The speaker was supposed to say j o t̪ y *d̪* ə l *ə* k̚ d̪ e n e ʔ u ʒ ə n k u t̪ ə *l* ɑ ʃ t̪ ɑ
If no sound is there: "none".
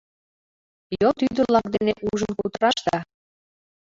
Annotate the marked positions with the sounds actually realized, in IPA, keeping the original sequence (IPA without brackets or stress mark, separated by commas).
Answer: d̪, ɑ, ɾ